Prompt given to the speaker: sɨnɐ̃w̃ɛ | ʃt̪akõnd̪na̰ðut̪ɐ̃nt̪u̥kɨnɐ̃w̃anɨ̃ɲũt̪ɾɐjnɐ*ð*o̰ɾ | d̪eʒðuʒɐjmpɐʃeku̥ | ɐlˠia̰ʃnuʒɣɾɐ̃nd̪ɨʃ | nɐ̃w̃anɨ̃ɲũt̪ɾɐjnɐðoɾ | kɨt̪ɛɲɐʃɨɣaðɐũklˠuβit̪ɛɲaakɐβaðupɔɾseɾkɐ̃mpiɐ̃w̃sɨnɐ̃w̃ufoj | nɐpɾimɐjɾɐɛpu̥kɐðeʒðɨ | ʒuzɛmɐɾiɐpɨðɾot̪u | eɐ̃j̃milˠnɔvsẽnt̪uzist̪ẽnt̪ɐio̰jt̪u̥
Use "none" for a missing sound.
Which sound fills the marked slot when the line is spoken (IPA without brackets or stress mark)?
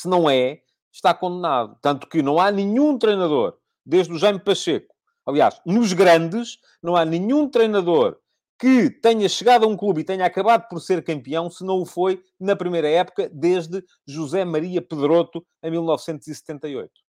ð